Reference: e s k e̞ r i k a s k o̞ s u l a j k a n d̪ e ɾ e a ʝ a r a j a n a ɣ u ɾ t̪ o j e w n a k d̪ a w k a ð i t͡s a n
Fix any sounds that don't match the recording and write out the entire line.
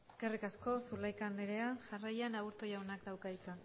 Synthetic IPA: e s k e̞ r i k a s k o̞ s u l a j k a n d̪ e ɾ e a ʝ a r a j a n a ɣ u ɾ t̪ o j a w n a k d̪ a w k a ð i t͡s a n